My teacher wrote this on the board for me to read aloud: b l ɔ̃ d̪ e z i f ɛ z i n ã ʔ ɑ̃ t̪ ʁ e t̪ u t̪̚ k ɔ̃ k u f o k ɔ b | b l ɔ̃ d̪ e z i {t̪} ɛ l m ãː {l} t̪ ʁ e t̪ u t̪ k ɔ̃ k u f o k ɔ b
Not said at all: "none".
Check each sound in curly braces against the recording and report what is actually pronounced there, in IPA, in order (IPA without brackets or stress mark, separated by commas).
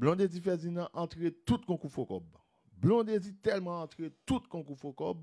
t̪, none